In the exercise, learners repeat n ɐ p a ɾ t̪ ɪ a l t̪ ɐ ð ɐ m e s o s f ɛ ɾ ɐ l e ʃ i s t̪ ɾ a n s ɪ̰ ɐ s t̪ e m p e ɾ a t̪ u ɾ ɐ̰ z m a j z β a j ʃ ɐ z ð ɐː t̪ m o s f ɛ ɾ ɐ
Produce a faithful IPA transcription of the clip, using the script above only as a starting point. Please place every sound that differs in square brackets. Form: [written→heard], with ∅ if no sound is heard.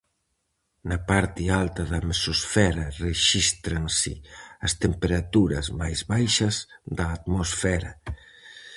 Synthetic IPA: n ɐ p a ɾ t̪ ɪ a l t̪ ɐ ð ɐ m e s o s f ɛ ɾ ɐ [l→r] e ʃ i s t̪ ɾ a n s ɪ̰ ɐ s t̪ e m p e ɾ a t̪ u ɾ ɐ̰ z m a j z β a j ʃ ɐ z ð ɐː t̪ m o s f ɛ ɾ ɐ